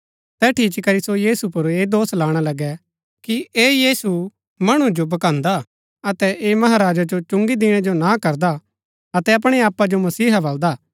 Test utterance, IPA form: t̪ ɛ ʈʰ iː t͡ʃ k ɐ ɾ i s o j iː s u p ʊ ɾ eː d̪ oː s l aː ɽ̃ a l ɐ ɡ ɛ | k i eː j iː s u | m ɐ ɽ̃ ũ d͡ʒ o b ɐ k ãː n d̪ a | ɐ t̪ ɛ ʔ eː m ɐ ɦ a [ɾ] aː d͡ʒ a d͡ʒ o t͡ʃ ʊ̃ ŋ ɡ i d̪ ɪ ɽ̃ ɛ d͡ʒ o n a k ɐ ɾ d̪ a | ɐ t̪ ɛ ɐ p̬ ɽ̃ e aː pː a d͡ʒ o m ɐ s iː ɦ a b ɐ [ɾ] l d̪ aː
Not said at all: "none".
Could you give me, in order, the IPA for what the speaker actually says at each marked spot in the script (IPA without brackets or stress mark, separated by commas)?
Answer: ɾ, none